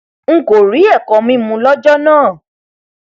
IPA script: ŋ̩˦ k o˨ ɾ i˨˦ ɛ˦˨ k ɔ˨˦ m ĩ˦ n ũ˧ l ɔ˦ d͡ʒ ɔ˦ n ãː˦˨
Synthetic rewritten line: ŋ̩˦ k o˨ ɾ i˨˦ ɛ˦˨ k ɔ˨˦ m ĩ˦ m ũ˧ l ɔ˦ d͡ʒ ɔ˦ n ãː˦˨